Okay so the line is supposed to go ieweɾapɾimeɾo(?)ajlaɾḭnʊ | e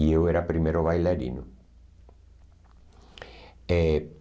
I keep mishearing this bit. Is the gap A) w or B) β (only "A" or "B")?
B